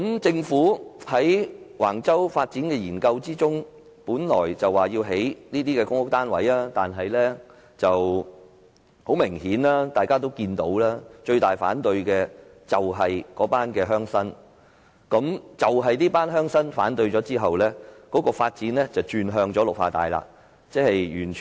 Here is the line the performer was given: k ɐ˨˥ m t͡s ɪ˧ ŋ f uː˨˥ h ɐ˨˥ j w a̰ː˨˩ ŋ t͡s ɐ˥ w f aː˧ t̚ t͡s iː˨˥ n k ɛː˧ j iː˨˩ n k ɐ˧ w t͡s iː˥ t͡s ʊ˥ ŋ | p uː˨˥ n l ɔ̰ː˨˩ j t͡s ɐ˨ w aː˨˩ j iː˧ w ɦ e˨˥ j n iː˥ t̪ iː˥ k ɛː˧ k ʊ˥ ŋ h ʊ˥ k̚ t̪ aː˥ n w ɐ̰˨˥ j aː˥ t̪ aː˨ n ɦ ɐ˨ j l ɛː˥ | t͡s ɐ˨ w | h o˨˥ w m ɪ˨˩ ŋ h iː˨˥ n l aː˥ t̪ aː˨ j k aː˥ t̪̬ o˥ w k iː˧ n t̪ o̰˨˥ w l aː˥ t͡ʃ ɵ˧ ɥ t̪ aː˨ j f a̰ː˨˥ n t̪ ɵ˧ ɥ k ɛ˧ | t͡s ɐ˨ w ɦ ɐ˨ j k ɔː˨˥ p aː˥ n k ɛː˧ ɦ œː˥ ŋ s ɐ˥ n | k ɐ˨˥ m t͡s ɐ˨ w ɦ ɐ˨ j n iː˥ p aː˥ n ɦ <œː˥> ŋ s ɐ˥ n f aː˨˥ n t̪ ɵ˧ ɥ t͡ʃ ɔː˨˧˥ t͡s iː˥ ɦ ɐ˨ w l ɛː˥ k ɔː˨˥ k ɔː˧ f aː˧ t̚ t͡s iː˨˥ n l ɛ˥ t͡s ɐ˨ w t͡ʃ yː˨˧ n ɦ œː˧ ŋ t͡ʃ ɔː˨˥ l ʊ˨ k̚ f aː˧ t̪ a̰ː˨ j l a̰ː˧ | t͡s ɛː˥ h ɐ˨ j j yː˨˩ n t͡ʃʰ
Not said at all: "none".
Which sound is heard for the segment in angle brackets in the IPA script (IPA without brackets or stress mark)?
œː˥